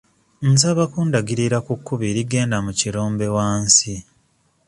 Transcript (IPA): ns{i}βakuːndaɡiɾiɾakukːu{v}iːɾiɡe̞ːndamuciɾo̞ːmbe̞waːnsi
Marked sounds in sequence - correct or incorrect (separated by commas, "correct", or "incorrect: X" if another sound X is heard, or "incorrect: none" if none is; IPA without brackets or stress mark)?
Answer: incorrect: a, incorrect: β